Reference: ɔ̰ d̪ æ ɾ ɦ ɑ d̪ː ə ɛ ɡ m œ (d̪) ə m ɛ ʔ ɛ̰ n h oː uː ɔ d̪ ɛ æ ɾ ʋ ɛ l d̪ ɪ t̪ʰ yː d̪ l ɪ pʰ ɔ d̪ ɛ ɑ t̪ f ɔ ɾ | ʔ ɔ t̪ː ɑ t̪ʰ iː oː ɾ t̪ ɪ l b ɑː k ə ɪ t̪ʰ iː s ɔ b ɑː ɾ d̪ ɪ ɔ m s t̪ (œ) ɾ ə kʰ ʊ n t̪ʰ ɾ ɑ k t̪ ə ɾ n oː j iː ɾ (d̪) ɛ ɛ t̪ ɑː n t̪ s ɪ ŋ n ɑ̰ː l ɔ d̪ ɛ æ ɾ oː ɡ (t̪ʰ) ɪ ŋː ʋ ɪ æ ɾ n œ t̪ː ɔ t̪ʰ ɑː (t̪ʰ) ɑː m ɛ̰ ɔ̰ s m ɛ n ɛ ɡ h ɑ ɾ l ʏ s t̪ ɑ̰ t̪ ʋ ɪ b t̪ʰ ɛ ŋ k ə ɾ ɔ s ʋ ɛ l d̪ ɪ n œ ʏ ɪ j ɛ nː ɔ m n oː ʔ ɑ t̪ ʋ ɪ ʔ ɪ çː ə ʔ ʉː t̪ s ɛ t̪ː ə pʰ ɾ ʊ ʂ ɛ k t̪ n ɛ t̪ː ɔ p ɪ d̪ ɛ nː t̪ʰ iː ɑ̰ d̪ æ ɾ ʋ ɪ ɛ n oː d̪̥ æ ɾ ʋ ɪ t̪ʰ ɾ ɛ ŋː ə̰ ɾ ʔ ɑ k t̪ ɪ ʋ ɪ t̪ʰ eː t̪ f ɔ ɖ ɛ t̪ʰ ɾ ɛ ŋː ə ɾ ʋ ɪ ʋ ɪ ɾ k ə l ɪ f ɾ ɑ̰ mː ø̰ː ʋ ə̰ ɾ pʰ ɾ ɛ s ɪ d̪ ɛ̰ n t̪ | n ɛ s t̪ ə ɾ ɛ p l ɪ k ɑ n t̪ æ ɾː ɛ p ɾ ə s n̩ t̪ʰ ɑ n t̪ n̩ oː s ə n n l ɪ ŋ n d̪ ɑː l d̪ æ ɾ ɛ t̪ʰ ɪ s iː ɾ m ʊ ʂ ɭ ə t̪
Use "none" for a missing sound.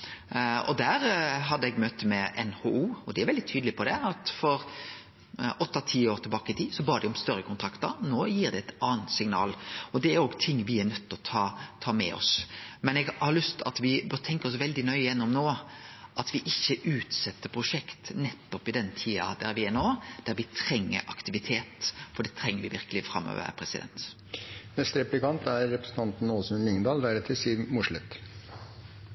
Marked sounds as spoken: t̪, œ, d̪, t̪ʰ, t̪ʰ

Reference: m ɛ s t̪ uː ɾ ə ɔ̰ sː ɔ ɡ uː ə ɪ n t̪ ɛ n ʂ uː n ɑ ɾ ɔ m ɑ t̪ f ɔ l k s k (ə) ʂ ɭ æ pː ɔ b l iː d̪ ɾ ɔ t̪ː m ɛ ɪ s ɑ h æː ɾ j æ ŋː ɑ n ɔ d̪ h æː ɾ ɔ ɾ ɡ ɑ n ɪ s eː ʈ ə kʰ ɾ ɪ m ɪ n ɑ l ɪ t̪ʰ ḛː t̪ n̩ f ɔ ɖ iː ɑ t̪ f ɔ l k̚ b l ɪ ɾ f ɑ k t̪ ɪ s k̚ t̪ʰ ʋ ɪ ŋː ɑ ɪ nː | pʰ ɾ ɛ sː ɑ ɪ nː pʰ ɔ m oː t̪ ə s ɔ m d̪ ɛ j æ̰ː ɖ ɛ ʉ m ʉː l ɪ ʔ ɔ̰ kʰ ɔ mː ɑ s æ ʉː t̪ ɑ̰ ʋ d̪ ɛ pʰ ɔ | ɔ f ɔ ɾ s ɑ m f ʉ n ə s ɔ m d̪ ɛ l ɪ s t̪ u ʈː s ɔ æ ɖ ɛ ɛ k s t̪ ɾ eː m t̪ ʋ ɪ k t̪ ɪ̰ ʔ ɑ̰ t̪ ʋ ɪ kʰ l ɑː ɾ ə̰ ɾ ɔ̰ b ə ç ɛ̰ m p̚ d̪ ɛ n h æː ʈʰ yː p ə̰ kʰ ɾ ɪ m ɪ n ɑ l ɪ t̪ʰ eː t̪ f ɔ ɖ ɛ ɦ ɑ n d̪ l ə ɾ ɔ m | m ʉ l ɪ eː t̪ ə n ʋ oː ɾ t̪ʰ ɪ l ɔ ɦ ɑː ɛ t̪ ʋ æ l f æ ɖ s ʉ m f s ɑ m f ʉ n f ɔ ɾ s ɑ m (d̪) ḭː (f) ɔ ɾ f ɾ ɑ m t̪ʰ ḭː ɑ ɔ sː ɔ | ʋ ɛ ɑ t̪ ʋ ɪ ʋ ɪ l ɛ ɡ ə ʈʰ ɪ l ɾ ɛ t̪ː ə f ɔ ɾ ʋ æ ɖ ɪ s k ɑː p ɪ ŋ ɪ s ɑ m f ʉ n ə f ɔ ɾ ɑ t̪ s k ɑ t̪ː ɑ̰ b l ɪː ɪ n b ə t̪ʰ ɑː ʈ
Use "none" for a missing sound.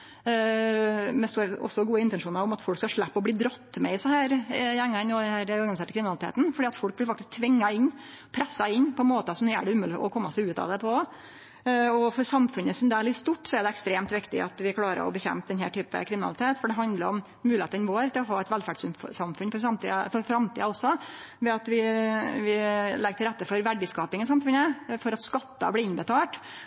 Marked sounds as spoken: ɑ, t̪, f

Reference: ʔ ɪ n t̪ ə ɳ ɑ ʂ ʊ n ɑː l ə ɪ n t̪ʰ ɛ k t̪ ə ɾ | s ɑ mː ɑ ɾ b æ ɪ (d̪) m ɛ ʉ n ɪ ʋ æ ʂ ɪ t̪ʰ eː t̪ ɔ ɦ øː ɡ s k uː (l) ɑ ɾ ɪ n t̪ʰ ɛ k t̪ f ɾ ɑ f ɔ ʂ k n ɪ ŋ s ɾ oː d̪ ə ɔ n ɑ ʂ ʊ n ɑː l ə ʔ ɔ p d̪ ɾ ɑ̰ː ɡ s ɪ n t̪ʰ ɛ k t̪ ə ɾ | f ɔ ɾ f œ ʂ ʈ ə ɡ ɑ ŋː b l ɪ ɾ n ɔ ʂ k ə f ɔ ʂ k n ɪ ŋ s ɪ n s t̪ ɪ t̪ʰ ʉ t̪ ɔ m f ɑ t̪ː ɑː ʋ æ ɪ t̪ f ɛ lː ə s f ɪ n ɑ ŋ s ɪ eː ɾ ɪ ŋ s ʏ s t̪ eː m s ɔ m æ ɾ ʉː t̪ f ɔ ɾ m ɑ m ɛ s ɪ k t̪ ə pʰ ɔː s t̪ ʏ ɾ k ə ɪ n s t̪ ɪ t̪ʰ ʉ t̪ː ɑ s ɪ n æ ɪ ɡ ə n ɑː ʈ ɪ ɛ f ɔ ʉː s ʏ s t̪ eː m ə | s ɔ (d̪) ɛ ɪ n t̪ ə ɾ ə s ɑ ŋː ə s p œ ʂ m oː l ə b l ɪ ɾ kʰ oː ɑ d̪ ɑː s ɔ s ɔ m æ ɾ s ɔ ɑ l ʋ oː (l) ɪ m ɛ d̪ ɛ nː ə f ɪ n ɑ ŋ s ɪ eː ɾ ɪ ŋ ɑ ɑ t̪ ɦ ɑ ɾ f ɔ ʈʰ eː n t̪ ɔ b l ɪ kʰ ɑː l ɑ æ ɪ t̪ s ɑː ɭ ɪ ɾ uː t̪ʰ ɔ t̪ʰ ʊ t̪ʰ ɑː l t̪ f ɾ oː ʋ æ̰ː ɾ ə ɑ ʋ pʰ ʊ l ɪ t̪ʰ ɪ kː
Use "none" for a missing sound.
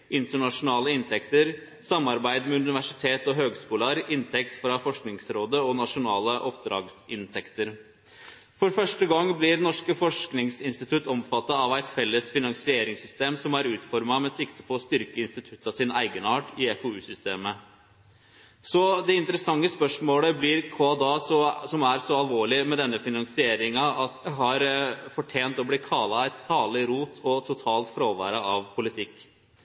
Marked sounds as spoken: d̪, l, d̪, ɭ

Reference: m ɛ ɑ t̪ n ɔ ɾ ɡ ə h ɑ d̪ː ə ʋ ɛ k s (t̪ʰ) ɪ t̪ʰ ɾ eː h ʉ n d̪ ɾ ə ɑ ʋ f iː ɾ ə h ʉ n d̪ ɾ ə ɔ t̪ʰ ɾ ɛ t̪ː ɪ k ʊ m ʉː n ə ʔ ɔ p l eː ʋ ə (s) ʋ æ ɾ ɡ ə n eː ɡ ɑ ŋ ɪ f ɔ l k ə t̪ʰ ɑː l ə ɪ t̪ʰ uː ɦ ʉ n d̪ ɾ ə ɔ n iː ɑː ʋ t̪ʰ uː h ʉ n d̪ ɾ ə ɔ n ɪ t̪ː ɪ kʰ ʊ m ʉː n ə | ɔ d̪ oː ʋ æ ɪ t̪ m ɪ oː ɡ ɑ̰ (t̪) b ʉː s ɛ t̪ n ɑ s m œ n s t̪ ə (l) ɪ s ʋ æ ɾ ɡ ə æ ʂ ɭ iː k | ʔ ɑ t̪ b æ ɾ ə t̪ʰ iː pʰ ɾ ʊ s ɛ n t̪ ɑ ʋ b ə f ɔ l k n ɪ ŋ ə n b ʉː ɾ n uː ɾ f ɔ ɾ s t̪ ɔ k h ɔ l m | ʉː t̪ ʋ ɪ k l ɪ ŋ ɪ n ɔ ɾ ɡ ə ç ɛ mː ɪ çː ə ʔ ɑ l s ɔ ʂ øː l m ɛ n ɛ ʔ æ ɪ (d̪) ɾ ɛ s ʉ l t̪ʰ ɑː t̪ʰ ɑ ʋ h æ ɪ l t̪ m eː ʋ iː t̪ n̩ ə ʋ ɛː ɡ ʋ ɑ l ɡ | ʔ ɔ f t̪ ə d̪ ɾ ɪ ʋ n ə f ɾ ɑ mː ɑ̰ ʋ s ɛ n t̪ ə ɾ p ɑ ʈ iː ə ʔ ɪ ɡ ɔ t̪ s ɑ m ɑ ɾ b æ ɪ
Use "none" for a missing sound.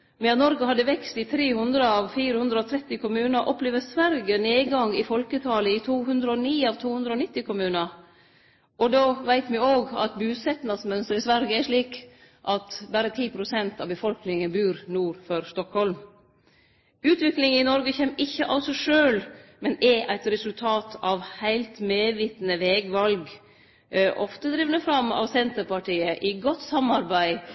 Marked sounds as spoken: t̪, s, t̪, ɾ, t̪

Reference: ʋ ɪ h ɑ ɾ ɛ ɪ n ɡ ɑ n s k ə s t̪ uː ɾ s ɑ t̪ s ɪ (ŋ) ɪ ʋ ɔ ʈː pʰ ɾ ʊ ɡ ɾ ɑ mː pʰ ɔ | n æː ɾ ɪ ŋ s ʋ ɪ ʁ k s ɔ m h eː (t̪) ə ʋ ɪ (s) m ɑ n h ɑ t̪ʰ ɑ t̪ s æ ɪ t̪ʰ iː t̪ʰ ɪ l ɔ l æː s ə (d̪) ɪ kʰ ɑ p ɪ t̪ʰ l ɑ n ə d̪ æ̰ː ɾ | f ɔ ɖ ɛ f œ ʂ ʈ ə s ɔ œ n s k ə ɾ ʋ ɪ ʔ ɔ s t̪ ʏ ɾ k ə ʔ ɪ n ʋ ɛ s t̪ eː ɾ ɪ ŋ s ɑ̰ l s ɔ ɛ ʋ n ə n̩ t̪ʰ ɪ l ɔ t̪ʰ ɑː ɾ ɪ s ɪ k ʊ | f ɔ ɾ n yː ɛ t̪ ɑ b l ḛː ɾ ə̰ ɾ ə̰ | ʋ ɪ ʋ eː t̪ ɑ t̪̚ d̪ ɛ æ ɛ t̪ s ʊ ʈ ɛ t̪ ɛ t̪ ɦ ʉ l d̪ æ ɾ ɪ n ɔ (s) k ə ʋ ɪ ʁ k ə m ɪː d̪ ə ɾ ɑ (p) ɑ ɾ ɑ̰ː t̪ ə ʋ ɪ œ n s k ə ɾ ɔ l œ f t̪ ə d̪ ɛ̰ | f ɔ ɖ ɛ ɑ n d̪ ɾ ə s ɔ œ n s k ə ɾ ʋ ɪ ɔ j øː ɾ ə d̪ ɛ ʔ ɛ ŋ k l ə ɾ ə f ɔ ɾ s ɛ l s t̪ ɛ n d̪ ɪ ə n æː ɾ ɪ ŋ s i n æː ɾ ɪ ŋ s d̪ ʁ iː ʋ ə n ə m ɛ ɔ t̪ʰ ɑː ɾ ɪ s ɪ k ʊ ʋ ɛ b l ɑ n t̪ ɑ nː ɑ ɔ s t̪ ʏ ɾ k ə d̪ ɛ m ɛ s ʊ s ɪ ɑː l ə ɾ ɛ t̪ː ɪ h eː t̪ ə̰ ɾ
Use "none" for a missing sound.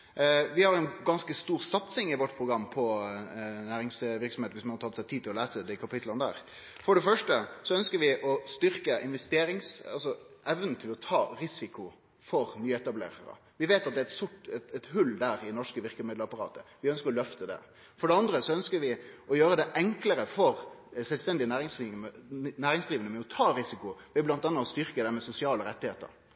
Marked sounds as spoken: ŋ, t̪, s, d̪, ʂ, p

